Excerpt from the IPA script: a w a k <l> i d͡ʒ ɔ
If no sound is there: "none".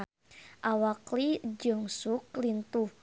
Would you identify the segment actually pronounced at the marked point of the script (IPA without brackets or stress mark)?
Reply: l